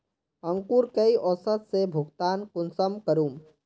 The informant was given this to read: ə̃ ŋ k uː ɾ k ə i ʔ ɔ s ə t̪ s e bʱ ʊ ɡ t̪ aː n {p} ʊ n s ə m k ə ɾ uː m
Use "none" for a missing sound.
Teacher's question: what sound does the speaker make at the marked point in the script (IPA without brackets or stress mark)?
k